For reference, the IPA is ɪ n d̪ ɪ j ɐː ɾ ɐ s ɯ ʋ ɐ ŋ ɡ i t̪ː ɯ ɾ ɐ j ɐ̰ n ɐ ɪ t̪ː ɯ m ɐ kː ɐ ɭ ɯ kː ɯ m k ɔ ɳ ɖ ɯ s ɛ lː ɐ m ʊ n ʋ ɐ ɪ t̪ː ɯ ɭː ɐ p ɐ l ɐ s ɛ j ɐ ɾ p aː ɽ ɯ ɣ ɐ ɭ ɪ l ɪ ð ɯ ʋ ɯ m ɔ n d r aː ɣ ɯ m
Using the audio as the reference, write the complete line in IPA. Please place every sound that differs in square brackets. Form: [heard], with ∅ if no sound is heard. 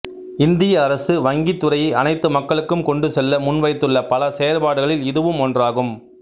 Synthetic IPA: ɪ n d̪ ɪ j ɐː ɾ ɐ s ɯ ʋ ɐ ŋ ɡ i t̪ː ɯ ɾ ɐ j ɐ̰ n ɐ ɪ t̪ː ɯ m ɐ kː ɐ ɭ ɯ kː ɯ m k ɔ ɳ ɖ ɯ s ɛ lː ɐ m ʊ n ʋ ɐ ɪ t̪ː ɯ ɭː ɐ p ɐ l ɐ s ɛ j ɐ ɾ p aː ɽ ɯ ɣ ɐ ɭ ɪ l ɪ ð ɯ ʋ ɯ m ɔ n d r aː ɣ ɯ m